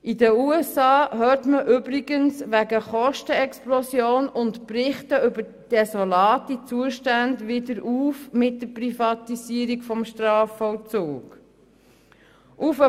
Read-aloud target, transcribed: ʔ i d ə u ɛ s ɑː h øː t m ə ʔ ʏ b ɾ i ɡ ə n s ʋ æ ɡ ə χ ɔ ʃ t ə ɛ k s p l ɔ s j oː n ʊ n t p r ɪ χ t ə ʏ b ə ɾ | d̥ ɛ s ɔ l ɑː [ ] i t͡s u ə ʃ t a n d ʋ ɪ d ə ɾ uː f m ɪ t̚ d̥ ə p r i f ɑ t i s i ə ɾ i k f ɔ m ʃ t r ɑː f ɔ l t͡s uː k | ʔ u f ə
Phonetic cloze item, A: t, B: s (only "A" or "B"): A